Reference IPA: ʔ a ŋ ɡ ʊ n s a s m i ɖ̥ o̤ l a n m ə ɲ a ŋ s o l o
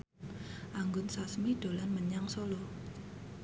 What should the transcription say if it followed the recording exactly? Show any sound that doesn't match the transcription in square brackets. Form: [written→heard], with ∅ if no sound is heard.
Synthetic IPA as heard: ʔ a ŋ ɡ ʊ n s a s m i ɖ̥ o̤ l a n m ə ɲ a ŋ s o l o